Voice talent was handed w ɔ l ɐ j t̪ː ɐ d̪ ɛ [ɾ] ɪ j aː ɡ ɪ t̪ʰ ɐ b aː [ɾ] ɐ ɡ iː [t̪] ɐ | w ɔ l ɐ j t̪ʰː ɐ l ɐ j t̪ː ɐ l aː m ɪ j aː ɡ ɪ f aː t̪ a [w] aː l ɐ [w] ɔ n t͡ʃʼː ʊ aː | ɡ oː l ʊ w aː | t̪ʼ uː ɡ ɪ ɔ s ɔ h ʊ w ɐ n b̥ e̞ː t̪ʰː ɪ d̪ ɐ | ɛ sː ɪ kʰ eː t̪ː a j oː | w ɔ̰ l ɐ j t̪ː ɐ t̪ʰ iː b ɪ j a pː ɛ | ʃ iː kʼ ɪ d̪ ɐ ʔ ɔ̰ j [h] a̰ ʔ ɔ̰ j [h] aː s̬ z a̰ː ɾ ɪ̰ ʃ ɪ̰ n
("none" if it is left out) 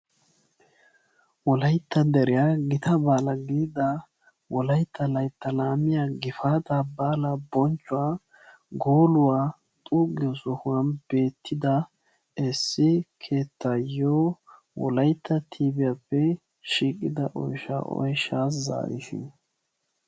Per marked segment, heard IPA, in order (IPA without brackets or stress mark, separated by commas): ɾ, l, d̪, b, b, ʃ, ʃ